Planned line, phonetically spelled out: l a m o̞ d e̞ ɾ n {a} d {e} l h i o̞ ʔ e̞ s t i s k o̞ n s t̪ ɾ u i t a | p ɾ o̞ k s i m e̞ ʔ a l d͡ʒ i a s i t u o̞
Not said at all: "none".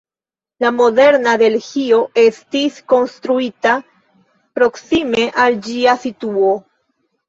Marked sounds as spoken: a, e

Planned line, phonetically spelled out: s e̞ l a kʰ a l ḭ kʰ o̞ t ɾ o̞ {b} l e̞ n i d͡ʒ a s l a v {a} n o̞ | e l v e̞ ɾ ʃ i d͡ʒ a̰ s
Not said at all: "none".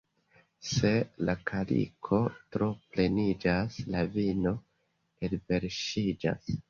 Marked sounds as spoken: p, i

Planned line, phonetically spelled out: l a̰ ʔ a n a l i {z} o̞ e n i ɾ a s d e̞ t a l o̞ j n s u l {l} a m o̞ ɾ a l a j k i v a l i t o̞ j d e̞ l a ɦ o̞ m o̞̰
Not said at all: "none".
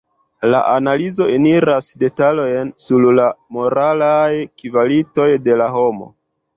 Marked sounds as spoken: z, l

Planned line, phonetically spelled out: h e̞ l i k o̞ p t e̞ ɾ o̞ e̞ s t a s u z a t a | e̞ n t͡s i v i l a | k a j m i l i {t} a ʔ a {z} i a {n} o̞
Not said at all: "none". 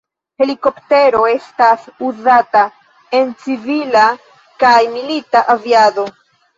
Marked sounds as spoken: t, v, d

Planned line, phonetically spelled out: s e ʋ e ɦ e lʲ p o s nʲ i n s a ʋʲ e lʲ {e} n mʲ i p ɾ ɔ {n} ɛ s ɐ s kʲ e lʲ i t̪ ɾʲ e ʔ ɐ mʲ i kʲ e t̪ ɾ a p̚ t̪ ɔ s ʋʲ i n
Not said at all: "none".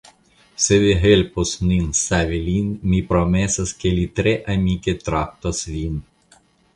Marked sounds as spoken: i, m

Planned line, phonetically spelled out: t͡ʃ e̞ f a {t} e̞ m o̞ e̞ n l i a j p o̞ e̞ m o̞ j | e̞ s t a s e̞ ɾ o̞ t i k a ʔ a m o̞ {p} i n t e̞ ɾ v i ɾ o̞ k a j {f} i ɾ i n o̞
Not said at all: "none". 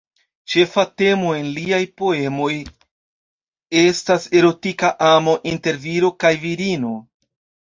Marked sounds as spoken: t, ʔ, v

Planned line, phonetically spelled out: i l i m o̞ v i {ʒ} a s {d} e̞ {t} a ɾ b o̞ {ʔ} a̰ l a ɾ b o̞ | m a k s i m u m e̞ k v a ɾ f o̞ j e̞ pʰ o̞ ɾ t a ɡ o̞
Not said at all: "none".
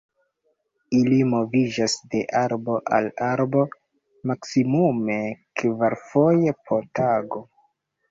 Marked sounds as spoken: d͡ʒ, d, ʔ, ʔ

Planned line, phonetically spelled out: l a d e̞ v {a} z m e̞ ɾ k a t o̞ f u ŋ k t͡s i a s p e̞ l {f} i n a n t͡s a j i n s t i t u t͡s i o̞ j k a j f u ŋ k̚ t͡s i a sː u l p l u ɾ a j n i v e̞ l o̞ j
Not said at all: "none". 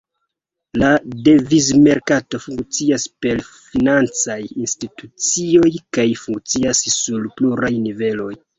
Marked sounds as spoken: i, f

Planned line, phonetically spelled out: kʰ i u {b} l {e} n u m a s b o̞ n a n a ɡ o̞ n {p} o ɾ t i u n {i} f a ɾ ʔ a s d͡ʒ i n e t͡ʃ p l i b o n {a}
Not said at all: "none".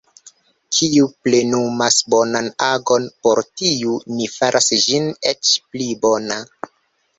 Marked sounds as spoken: p, e, p, i, a

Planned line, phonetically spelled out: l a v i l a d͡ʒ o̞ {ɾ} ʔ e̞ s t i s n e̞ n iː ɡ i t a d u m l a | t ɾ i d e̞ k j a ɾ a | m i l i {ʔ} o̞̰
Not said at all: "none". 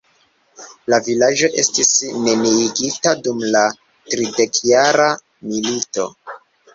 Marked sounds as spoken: none, t

